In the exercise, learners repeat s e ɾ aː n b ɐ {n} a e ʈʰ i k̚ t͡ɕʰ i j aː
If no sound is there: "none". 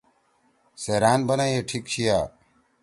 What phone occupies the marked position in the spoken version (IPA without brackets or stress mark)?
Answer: n